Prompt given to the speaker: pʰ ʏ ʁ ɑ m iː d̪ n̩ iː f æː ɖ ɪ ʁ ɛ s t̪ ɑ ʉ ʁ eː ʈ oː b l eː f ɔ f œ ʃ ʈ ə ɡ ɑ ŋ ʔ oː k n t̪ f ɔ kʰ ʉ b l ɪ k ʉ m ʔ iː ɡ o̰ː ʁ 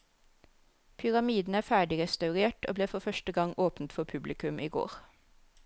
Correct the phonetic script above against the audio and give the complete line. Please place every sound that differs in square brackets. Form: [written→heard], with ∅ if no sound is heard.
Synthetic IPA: pʰ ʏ ʁ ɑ m iː d̪ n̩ [iː→æː] f æː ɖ ɪ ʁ ɛ s t̪ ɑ ʉ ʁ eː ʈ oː b l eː f ɔ f œ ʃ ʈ ə ɡ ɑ ŋ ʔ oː [k→p] n t̪ f ɔ [kʰ→pʰ] ʉ b l ɪ k ʉ m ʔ iː ɡ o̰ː ʁ